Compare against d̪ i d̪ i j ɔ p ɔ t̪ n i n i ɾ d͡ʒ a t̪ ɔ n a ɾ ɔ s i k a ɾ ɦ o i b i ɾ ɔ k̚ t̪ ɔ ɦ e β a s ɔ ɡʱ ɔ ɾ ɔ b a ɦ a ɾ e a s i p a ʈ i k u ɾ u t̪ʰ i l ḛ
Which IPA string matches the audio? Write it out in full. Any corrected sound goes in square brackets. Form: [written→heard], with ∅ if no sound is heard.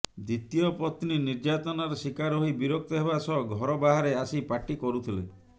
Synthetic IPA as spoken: d̪ i [d̪→t̪] i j ɔ p ɔ t̪ n i n i ɾ d͡ʒ a t̪ ɔ n a ɾ ɔ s i k a ɾ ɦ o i b i ɾ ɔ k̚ t̪ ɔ ɦ e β a s ɔ ɡʱ ɔ ɾ ɔ b a ɦ a ɾ e a s i p a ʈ i k [u→ɔ] ɾ u t̪ʰ i l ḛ